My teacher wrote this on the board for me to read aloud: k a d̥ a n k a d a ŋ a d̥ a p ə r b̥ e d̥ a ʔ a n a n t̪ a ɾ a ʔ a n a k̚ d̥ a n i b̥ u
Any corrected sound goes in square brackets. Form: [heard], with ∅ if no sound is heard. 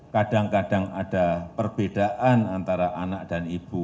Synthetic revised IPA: k a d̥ a [ŋ] k a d a ŋ a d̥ a p ə r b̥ e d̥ a ʔ a n a n t̪ a ɾ a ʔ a n a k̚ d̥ a n i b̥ u